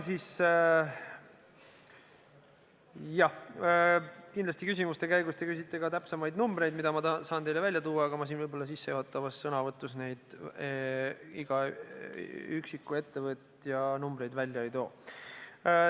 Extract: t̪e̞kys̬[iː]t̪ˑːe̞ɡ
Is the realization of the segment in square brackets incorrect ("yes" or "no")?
yes